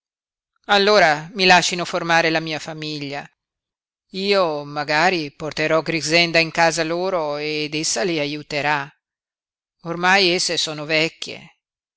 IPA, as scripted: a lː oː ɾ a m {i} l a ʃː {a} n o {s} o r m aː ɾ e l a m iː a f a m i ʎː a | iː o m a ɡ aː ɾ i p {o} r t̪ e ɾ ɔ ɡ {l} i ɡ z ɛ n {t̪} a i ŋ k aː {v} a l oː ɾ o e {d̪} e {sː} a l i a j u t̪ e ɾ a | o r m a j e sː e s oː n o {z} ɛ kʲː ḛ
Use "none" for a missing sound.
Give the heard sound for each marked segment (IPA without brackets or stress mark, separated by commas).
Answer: i, i, f, o, ɾ, d̪, z, d̪, sː, v